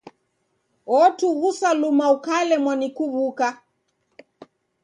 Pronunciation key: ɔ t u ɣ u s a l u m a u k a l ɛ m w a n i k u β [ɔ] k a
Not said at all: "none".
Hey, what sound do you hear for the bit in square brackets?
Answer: u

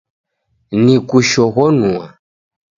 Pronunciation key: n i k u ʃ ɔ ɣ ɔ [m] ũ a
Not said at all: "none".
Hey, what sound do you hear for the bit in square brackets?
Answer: n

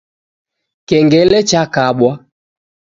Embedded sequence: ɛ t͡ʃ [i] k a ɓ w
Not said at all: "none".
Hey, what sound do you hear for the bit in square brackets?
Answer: a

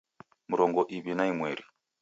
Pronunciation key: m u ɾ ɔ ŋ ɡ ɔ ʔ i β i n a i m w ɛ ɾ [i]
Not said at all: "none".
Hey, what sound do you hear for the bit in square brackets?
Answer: i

